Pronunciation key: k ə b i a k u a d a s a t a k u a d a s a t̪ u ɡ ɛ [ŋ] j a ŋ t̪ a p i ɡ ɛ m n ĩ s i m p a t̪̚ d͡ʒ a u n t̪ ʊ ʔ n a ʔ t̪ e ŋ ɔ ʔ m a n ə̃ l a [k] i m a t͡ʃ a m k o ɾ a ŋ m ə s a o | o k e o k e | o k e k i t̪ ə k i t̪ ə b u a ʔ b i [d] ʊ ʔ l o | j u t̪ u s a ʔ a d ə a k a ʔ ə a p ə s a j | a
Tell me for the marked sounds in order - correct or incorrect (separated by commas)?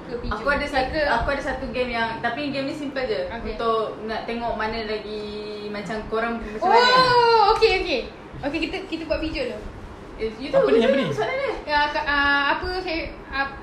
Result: incorrect, incorrect, incorrect